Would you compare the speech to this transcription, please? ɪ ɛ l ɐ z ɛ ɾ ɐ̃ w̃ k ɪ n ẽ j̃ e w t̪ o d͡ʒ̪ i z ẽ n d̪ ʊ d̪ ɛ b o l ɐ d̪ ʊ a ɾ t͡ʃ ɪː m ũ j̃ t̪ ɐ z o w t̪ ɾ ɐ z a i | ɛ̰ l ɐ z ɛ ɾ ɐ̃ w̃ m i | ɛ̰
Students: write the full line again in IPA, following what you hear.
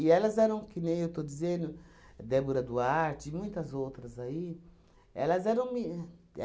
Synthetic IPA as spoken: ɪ ɛ l ɐ z ɛ ɾ ɐ̃ w̃ k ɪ n ẽ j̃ e w t̪ o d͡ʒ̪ i z ẽ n d̪ ʊ d̪ ɛ b o ɾ ɐ d̪ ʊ a ɾ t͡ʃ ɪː m ũ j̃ t̪ ɐ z o w t̪ ɾ ɐ z a i | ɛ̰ l ɐ z ɛ ɾ ɐ̃ w̃ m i | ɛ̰